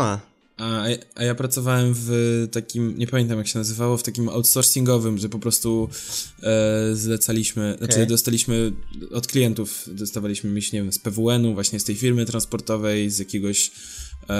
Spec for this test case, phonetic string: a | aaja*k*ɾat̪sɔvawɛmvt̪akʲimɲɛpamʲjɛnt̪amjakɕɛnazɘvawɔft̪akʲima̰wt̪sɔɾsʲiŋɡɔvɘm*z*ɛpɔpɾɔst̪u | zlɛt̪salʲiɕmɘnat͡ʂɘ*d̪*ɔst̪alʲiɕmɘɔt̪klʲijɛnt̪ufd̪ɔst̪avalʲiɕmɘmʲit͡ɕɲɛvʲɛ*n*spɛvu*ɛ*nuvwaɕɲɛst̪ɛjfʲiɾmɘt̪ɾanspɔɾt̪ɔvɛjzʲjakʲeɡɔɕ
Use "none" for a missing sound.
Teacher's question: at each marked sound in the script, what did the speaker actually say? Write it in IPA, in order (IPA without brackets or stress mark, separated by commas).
p, ʐ, d̪, m, ɛ